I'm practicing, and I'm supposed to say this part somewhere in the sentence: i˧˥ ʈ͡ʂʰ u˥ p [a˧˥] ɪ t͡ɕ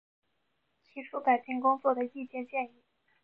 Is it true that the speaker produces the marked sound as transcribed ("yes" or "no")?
no